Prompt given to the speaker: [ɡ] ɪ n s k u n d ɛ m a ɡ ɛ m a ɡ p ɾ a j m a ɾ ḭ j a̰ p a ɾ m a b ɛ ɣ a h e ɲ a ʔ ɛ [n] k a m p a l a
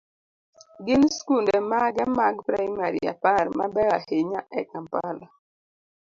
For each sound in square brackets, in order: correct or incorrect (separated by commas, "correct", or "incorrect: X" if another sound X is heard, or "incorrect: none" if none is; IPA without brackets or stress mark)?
correct, incorrect: none